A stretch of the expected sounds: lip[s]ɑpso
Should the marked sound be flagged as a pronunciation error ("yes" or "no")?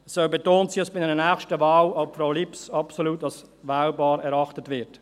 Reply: no